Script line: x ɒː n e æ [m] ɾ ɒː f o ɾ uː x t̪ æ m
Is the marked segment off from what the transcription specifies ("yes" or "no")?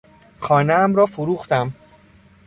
no